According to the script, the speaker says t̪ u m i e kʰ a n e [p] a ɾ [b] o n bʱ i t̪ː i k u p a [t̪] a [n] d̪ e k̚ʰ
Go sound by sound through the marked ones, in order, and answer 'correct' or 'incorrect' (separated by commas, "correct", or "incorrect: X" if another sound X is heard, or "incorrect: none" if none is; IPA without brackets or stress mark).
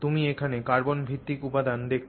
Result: incorrect: k, correct, incorrect: d̪, correct